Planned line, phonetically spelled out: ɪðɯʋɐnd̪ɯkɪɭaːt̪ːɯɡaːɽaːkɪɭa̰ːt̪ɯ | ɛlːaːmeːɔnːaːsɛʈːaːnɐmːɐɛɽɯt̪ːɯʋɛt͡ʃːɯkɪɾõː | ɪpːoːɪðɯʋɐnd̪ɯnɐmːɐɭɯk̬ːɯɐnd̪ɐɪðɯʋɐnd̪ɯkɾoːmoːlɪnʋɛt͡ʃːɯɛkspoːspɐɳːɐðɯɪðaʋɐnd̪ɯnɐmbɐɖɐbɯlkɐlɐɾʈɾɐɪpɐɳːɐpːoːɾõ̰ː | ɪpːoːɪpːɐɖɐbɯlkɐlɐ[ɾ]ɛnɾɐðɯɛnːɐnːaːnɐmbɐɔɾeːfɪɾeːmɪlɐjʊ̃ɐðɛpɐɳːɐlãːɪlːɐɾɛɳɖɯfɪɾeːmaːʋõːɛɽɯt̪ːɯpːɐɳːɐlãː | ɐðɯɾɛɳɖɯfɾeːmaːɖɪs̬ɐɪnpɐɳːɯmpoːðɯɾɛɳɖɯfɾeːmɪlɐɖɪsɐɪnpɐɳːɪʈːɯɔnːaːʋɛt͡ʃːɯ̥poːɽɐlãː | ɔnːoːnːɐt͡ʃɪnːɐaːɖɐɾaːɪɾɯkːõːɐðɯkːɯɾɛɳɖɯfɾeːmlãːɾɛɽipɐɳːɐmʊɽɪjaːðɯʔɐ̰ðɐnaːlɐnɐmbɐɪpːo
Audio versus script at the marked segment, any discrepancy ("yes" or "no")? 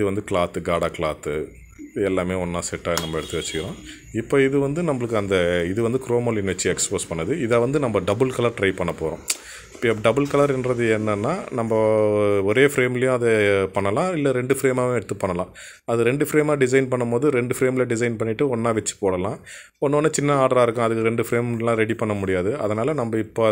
no